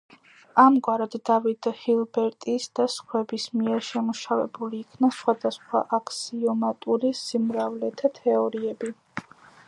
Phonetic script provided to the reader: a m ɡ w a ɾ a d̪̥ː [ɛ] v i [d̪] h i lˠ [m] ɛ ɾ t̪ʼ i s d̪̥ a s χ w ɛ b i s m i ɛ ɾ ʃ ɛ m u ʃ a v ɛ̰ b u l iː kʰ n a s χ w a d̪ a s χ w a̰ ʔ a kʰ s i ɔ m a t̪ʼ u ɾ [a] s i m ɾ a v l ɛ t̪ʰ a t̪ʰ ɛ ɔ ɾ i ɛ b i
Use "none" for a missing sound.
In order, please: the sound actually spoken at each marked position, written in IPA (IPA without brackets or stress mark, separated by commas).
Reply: a, d̪, b, i